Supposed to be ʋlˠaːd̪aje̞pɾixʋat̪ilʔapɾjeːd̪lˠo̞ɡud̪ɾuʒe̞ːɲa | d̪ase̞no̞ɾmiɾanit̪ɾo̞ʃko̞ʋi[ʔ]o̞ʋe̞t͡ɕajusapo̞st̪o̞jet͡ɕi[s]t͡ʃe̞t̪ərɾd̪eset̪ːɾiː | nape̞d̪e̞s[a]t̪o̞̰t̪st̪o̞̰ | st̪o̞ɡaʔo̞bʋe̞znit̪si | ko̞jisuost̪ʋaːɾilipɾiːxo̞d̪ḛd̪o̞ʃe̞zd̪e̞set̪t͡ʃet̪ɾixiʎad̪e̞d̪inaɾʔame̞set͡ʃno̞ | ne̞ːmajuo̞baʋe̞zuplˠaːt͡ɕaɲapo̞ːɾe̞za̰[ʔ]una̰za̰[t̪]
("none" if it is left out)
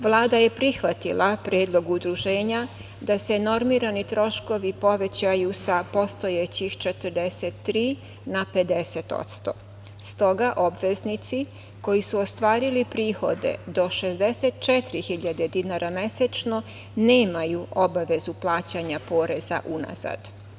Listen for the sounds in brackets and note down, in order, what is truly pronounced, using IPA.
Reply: p, x, e, ʔ, d̪

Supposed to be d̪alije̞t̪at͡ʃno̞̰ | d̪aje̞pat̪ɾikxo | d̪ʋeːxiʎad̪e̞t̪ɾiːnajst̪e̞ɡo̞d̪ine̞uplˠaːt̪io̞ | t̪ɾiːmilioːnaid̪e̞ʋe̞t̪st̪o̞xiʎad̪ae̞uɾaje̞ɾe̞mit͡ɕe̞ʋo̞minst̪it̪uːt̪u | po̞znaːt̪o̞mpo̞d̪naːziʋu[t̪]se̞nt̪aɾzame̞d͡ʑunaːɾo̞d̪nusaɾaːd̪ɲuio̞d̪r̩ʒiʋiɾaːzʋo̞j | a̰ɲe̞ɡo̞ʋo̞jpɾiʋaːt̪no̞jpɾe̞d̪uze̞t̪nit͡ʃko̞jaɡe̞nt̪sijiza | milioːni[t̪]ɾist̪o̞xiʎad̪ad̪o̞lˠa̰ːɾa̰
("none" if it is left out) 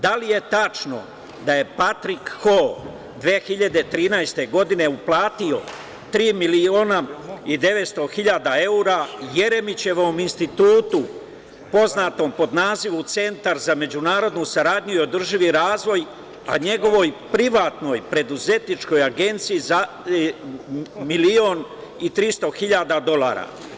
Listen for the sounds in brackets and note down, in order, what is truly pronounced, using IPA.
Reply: t̪, t̪

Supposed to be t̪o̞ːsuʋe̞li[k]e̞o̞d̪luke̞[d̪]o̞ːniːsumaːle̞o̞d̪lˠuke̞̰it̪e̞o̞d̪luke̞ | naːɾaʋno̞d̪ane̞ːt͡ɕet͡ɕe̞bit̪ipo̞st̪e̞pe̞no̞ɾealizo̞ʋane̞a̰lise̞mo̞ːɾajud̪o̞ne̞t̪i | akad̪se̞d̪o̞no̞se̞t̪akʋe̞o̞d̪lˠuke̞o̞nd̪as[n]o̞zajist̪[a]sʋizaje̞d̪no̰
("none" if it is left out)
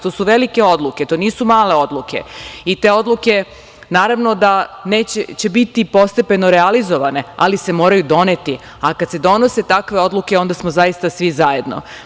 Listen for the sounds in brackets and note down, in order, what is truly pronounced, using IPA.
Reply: k, t̪, m, a

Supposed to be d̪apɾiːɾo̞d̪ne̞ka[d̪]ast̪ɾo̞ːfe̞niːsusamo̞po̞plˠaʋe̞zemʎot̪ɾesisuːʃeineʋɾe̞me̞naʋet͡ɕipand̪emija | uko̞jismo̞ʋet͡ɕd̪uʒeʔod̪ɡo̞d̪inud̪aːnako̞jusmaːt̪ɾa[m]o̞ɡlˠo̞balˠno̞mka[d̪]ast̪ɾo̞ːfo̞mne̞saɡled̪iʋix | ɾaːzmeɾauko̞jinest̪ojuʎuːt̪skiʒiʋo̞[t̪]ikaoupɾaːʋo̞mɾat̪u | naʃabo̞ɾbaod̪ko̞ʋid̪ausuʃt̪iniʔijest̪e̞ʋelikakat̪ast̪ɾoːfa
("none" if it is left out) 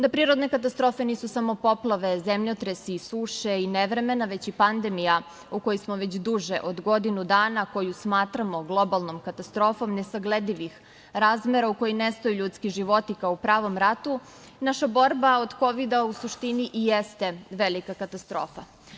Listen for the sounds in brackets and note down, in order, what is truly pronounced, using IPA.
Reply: t̪, m, t̪, t̪

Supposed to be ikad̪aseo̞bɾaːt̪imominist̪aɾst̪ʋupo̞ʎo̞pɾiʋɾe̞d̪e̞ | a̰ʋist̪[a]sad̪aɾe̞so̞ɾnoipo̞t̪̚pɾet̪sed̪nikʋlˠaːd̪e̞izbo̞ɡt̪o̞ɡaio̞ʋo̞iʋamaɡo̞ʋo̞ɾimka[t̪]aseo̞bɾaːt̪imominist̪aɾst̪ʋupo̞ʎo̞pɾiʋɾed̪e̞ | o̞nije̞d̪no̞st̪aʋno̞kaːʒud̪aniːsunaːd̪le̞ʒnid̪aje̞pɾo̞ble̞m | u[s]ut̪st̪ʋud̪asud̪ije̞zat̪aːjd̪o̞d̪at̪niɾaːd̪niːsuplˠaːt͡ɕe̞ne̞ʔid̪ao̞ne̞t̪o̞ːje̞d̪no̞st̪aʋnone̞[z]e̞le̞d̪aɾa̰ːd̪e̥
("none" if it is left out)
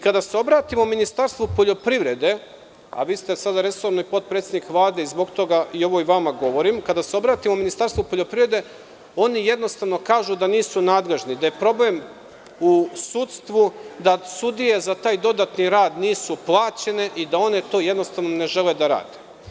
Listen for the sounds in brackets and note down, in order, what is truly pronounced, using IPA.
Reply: e, d̪, s, ʒ

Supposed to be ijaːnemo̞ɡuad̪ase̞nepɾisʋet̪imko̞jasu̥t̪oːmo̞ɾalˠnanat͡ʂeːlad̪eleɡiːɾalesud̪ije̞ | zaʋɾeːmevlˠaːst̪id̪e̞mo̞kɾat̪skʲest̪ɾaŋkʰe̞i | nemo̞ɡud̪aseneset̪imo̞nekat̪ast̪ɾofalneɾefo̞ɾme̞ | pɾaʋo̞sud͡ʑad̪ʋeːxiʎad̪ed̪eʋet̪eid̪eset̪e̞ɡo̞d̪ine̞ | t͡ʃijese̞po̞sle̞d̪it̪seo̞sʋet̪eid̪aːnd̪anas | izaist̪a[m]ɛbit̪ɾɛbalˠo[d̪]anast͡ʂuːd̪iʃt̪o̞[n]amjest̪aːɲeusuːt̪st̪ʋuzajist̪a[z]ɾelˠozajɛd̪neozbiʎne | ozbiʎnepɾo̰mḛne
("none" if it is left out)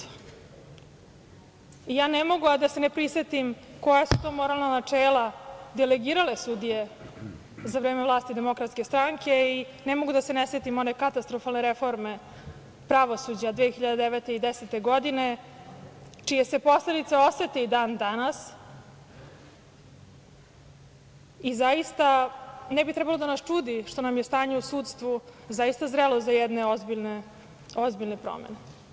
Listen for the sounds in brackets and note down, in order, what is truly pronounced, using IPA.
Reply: n, d̪, n, z

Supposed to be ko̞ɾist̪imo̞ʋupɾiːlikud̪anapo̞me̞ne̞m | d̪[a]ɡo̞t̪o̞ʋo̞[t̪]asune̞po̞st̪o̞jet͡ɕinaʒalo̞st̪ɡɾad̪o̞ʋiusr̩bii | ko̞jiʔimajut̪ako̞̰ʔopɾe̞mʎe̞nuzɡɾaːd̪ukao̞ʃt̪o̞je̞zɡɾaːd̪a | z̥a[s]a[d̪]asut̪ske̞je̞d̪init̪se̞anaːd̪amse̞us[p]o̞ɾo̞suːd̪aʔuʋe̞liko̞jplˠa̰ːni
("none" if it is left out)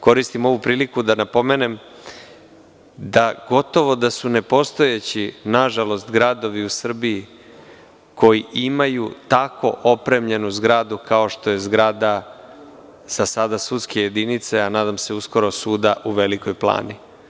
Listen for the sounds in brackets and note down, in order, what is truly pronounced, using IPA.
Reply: a, d̪, s, d̪, k

